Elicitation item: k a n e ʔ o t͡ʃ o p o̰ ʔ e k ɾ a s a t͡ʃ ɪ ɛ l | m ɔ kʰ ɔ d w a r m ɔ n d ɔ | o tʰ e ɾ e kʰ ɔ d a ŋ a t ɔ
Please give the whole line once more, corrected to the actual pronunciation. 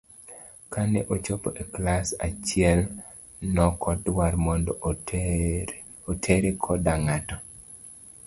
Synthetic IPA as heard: k a n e ʔ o t͡ʃ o p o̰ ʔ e k l a s a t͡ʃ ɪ ɛ l | n ɔ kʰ ɔ d w a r m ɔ n d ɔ | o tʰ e ɾ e kʰ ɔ d a ŋ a t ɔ